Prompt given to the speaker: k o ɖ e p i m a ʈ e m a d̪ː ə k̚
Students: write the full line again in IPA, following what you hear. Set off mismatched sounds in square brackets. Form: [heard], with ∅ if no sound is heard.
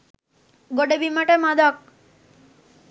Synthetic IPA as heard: [ɡ] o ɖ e [b] i m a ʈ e m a [d̪] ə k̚